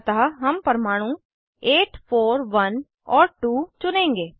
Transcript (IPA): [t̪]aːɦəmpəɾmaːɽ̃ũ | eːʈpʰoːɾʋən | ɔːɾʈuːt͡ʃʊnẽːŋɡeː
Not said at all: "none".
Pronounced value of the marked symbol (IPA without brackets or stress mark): t̪